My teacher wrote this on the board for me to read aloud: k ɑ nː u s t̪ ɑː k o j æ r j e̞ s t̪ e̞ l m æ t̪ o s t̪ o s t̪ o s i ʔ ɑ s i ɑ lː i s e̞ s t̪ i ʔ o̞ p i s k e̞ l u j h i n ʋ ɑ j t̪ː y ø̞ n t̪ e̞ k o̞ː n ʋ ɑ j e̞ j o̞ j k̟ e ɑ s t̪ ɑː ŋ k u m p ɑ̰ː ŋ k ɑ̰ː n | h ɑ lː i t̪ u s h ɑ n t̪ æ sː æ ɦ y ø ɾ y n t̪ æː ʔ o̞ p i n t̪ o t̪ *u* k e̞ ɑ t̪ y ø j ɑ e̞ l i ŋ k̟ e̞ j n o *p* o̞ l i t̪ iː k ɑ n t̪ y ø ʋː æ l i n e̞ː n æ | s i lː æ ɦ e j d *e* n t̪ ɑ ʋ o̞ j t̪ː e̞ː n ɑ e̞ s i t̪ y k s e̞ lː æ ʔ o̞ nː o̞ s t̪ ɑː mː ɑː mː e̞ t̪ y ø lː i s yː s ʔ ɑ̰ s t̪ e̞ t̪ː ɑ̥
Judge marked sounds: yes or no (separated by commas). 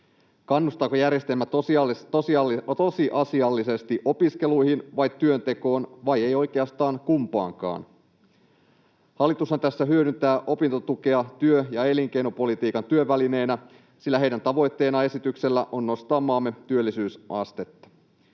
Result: yes, yes, no